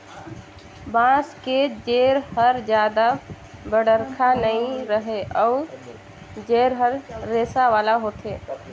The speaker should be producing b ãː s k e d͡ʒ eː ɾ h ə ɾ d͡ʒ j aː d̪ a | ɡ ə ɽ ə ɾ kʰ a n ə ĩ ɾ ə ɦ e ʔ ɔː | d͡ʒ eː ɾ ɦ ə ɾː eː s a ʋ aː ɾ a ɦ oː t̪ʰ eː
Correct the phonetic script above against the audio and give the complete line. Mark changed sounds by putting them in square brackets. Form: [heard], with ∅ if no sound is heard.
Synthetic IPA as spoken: b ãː s k e d͡ʒ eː ɾ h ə ɾ d͡ʒ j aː d̪ a | [b] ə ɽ ə ɾ kʰ a n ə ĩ ɾ ə ɦ e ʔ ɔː | d͡ʒ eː ɾ ɦ ə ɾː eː s a ʋ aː [l] a ɦ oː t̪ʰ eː